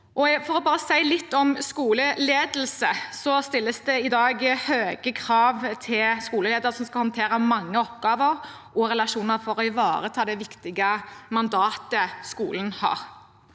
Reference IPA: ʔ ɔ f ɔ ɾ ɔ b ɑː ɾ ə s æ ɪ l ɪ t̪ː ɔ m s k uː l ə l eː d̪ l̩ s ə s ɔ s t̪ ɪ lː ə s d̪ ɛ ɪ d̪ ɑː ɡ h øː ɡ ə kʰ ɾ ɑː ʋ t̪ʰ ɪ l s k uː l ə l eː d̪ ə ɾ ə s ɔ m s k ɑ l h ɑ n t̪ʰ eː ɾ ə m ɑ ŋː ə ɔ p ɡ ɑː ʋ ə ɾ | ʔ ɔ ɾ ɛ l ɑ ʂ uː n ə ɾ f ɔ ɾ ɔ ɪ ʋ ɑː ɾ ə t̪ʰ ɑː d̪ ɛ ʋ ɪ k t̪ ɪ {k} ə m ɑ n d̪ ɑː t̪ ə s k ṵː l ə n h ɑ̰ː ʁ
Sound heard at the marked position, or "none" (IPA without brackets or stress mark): ɡ